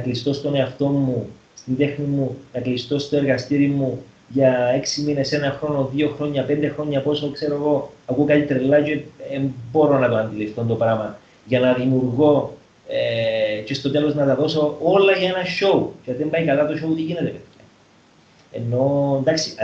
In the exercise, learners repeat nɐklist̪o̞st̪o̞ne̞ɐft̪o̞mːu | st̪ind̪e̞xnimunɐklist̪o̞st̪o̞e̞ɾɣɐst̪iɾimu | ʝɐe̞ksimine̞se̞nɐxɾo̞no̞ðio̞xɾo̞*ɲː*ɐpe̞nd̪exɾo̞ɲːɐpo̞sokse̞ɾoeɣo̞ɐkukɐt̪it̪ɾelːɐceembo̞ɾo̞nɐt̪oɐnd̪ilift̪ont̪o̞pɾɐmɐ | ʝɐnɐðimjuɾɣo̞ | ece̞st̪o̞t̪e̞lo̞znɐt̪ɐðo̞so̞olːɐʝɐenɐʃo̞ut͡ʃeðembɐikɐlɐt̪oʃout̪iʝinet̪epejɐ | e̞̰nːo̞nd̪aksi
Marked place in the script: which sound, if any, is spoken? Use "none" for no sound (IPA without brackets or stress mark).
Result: ɲː